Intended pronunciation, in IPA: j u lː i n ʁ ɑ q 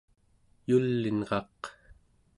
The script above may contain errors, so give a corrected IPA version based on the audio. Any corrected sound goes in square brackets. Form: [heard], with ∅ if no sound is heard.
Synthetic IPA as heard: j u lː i n ʁ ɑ q